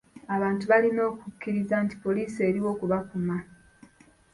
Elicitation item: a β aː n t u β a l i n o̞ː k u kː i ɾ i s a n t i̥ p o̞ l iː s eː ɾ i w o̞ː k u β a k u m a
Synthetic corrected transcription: a β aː n t u β a l i n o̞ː k u kː i ɾ i z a n t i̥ p o̞ l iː s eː ɾ i w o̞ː k u β a k u m a